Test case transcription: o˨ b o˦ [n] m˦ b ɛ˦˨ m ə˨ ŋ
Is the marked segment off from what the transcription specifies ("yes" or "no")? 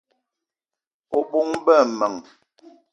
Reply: yes